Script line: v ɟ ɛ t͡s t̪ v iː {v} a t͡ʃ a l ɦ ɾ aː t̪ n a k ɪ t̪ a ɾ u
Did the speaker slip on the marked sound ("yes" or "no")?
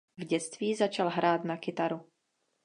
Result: yes